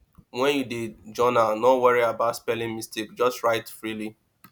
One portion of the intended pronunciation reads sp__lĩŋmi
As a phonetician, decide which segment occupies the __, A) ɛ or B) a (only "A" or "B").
A